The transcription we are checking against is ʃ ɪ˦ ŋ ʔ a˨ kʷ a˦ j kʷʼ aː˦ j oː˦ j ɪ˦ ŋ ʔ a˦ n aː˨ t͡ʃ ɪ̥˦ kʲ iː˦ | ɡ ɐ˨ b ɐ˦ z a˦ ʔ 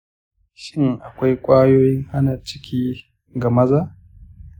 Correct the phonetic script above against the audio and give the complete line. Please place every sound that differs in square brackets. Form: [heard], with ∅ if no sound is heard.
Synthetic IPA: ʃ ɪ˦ ŋ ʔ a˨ kʷ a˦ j kʷʼ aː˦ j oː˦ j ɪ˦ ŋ ʔ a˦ n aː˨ t͡ʃ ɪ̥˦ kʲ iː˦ | ɡ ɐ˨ [m] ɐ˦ z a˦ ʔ